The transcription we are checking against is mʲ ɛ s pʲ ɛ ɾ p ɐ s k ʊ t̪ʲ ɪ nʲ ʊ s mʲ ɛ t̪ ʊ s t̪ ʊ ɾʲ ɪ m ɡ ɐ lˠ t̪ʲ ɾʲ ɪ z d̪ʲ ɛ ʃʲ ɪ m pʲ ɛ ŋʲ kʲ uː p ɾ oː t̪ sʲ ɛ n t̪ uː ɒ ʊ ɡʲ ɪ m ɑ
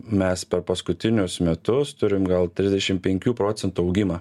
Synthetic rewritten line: mʲ ɛ s pʲ ɛ ɾ p ɐ s k ʊ t̪ʲ ɪ nʲ ʊ s mʲ ɛ t̪ ʊ s t̪ ʊ ɾʲ ɪ m ɡ ɐ lˠ t̪ʲ ɾʲ ɪ z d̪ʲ ɛ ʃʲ ɪ m pʲ ɛ ŋʲ kʲ uː p ɾ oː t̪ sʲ ɛ n t̪ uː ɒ ʊ ɡʲ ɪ m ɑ